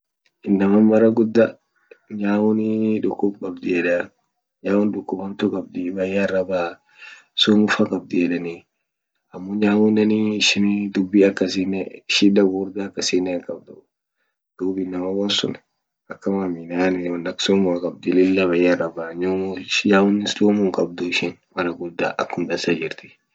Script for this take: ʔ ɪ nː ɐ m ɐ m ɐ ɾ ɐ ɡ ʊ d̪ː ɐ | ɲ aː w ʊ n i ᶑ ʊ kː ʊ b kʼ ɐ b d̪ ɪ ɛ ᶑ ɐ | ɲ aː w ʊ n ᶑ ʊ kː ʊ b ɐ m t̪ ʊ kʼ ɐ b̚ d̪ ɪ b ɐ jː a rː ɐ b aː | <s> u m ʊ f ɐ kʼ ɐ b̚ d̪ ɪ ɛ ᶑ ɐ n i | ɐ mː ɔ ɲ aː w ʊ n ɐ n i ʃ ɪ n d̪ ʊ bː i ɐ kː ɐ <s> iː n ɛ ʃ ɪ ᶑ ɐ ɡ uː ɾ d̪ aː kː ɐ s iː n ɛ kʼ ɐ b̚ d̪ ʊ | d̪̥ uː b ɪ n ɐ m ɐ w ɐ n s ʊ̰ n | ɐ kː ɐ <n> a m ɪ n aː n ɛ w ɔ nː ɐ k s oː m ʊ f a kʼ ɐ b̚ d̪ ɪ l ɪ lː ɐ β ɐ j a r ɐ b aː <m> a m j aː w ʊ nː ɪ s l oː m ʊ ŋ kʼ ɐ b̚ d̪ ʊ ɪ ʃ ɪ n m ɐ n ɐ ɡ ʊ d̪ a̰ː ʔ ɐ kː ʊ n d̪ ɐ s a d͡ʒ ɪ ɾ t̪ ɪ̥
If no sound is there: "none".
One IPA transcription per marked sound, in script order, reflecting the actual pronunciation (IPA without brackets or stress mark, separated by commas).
s, s, m, ɲ